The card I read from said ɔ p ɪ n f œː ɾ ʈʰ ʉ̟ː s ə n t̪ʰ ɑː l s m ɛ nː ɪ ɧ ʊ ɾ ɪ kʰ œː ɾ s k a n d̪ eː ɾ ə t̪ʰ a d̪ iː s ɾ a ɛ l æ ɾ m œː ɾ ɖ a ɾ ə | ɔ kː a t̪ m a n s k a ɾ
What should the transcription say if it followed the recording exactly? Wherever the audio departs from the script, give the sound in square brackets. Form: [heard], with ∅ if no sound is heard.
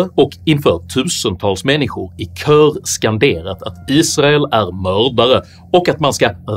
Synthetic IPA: ɔ [k] ɪ n f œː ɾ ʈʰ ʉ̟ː s ə n t̪ʰ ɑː l s m ɛ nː ɪ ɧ ʊ ɾ ɪ kʰ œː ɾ s k a n d̪ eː ɾ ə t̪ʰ a [t̪] iː s ɾ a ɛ l æ ɾ m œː ɾ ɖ a ɾ ə | ɔ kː a t̪ m a n s k a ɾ